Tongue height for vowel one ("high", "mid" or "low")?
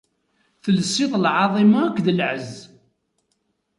mid